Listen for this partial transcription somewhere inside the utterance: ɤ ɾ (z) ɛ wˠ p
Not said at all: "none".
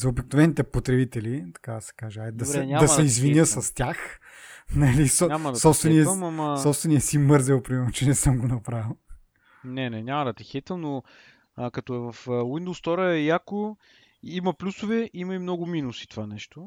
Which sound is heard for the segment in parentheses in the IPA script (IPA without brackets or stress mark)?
z